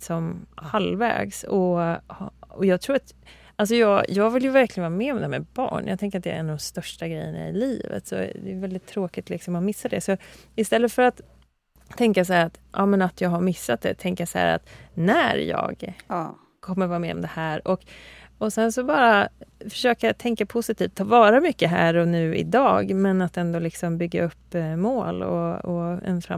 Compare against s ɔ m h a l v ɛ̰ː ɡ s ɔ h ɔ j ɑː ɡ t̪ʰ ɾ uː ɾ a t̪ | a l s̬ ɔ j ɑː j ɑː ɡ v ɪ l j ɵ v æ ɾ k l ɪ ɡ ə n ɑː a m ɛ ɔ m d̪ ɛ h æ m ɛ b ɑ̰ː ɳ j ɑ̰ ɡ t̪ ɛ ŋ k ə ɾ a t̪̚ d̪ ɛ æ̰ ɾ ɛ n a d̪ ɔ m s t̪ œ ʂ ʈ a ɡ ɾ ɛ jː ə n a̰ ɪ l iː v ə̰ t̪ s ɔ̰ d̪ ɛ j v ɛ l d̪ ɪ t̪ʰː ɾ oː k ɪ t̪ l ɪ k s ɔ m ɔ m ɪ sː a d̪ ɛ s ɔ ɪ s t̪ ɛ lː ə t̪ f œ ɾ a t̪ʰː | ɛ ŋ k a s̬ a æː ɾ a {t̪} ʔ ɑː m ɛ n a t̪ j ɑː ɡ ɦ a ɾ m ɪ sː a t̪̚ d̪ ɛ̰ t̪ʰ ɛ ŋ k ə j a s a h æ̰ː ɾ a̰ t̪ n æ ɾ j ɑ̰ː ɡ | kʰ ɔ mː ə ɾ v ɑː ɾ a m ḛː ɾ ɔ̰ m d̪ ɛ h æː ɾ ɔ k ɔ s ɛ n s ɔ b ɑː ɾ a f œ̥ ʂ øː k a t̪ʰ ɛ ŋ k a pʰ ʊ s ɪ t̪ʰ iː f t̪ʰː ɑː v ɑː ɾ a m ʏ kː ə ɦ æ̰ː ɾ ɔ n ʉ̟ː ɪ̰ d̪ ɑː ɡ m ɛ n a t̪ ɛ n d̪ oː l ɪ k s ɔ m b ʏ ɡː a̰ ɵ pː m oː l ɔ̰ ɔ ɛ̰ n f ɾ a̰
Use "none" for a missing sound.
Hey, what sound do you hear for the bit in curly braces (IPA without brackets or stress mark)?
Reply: t̪